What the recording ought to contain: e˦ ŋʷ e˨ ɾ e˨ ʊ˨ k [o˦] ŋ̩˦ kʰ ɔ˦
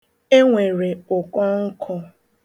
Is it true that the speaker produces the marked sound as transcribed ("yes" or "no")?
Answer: no